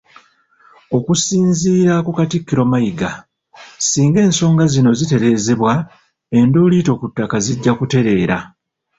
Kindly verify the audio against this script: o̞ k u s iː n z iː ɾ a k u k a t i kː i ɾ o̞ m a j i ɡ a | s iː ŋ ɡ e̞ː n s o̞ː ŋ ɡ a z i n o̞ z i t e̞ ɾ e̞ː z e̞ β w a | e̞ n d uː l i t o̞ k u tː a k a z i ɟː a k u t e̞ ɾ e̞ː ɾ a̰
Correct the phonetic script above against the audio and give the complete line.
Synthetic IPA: o̞ k u s iː n z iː ɾ a k u k a t i kː i ɾ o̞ m a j i ɡ a | s iː ŋ ɡ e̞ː n s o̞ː ŋ ɡ a z i n o̞ z i t e̞ ɾ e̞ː z e̞ β w a | e̞ n d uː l i t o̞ k u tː a k a z i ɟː a k u t e̞ ɾ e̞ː ɾ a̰